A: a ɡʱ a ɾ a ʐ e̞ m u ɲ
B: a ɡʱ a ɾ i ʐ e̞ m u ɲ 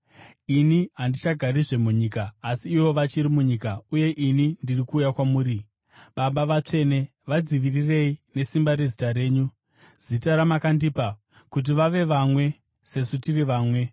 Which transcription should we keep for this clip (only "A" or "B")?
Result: B